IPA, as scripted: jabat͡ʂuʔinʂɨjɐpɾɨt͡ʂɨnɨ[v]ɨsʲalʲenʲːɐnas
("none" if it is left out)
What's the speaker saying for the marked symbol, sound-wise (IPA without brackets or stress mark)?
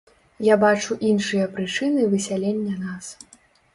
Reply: v